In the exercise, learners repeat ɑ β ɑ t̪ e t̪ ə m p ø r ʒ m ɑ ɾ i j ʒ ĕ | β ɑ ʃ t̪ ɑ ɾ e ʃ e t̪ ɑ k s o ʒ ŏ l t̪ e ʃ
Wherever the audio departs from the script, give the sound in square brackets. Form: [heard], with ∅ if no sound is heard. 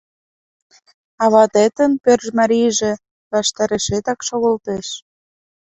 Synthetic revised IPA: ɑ β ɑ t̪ e t̪ ə [n] p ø r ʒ m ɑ ɾ i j ʒ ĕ | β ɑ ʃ t̪ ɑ ɾ e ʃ e t̪ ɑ k [ʃ] o [ɣ] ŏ l t̪ e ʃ